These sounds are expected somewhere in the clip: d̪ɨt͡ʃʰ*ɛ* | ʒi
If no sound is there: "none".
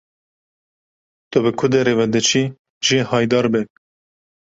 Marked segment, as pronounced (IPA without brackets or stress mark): i